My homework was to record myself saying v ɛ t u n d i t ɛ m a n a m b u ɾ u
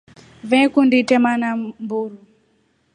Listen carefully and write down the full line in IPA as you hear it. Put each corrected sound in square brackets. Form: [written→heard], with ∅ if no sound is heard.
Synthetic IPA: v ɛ [t→k] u n d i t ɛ m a n a m b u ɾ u